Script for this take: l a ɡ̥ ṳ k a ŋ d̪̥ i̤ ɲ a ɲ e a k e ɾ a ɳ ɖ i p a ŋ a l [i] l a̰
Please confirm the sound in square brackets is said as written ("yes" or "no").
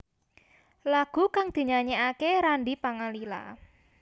yes